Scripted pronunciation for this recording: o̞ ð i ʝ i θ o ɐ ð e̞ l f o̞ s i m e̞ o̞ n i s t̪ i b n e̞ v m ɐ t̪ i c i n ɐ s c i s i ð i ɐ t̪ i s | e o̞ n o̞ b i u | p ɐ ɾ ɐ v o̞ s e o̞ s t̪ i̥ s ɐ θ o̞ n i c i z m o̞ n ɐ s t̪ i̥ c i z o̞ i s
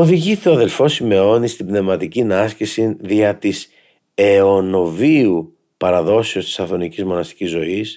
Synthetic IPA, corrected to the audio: o̞ ð i ʝ i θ o ɐ ð e̞ l f o̞ s i m e̞ o̞ n i s t̪ i b n e̞ v m ɐ t̪ i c i n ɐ s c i s i ð i ɐ t̪ i s | e o̞ n o̞ v i u | p ɐ ɾ ɐ ð o̞ s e o̞ s t̪ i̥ s ɐ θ o̞ n i c i z m o̞ n ɐ s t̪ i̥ c i z o̞ i s